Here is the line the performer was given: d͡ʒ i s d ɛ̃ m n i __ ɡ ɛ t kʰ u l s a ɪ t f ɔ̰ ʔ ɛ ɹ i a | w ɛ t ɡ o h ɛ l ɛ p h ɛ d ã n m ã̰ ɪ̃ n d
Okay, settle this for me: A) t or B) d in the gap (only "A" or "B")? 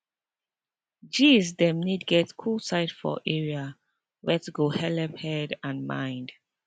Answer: B